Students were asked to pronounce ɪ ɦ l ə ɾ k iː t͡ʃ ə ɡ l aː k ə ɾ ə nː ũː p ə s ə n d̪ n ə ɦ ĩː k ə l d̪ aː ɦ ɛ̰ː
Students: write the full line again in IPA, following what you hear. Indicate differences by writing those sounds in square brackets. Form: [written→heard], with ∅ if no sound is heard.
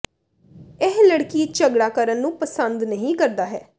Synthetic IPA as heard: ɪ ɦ l ə [ɾ→ɽ] k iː t͡ʃ ə ɡ [l→ɽ] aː k ə ɾ ə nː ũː p ə s ə n d̪ n ə ɦ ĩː k ə [l→ɾ] d̪ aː ɦ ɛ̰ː